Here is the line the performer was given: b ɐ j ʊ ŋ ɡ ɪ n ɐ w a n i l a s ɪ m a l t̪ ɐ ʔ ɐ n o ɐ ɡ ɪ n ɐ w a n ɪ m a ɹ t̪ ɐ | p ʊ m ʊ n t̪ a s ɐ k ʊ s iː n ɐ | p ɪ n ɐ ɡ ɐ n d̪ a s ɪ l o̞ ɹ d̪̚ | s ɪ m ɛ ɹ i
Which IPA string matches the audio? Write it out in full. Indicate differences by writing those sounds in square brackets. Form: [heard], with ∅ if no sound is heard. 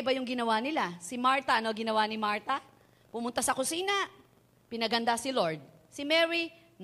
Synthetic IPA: b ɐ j ʊ ŋ ɡ ɪ n ɐ w a n [ɪ] l a s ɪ m a [ɹ] t̪ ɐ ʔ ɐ n o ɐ ɡ ɪ n ɐ w a n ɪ m a ɹ t̪ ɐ | p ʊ m ʊ n t̪ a s ɐ k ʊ s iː n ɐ | p ɪ n ɐ ɡ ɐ n d̪ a s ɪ l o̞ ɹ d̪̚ | s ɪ m ɛ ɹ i